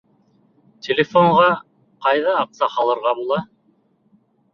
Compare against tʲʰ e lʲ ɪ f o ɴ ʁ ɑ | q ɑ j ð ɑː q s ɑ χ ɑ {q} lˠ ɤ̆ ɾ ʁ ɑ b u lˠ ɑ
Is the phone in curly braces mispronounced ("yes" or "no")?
yes